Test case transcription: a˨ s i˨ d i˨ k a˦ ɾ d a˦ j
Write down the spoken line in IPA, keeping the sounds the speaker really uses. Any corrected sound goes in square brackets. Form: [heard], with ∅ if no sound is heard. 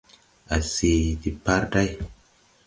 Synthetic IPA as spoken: a˨ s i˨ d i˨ [p] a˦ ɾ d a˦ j